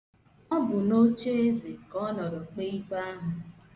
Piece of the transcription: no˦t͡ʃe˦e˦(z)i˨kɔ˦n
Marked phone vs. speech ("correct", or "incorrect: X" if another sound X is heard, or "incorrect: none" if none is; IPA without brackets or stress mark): correct